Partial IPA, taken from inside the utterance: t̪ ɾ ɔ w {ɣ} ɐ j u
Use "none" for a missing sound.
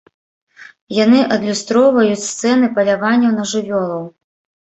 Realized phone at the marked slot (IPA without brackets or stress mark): v